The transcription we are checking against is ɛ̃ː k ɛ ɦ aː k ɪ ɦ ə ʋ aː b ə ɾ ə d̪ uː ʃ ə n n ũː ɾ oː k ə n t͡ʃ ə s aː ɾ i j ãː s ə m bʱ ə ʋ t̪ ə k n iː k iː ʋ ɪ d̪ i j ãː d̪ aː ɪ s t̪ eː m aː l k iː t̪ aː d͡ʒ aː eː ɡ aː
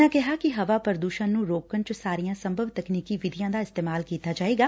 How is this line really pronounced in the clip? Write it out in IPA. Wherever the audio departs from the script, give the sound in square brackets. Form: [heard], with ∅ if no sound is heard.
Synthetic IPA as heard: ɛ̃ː k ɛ ɦ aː k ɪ ɦ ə ʋ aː [p] ə ɾ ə d̪ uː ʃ ə n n ũː ɾ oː k ə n t͡ʃ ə s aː ɾ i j ãː s ə m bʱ ə ʋ t̪ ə k n iː k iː ʋ ɪ d̪ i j ãː d̪ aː ɪ s t̪ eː m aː l k iː t̪ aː d͡ʒ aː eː ɡ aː